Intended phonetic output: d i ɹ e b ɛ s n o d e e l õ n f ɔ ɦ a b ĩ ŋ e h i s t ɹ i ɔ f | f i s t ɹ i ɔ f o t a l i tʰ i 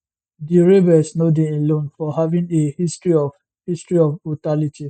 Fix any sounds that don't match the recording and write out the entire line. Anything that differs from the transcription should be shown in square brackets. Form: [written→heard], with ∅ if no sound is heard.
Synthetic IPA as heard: d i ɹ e b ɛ s n o d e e l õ n f ɔ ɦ a [b→v] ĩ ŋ e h i s t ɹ i ɔ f | [f→h] i s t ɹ i ɔ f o t a l i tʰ i